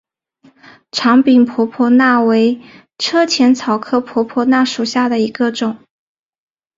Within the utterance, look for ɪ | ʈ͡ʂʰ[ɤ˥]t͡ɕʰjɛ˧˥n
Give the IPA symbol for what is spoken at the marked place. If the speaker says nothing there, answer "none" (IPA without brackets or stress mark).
ɤ˥